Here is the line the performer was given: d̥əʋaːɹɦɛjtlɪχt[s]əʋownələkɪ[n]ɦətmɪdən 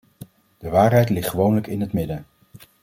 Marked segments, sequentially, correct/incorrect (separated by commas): incorrect, correct